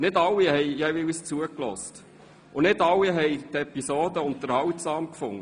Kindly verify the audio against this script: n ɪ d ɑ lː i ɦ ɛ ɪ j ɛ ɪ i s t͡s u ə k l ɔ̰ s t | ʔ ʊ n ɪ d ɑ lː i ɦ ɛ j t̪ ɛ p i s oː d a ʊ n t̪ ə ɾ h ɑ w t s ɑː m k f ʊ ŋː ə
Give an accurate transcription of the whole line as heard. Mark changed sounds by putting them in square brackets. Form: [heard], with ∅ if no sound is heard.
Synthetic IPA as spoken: n ɪ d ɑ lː i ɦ ɛ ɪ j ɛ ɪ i s t͡s u ə k l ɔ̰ s t | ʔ ʊ n ɪ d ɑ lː i ɦ ɛ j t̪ ɛ p i s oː d [ə] ʊ n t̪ ə ɾ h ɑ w t s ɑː m k f ʊ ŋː ə